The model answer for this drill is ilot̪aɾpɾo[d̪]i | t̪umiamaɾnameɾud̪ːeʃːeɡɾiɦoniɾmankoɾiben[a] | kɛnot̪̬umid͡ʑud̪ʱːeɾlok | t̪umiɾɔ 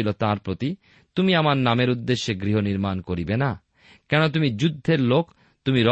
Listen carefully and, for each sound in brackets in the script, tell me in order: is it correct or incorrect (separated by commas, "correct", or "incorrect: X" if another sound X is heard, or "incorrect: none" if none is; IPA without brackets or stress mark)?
incorrect: t̪, correct